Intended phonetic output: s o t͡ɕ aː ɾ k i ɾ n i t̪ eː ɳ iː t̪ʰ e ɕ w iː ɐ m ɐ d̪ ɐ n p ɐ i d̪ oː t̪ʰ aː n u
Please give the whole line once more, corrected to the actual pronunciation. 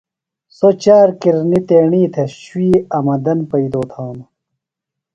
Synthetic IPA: s o t͡ɕ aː ɾ k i ɾ n i t̪ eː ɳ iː t̪ʰ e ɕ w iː ɐ m ɐ d̪ ɐ n p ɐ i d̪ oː t̪ʰ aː n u